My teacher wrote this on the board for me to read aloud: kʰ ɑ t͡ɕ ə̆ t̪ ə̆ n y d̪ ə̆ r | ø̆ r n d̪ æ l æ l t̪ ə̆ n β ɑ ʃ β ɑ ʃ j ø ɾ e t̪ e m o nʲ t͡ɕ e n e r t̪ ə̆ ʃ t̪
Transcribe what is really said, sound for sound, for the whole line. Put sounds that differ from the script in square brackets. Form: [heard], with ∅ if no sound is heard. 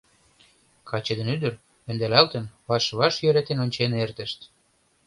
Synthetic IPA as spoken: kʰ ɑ t͡ɕ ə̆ [d̪] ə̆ n y d̪ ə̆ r | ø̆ [∅] n d̪ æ l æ l t̪ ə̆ n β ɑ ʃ β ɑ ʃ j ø ɾ e t̪ e [n] o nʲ t͡ɕ e n e r t̪ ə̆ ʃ t̪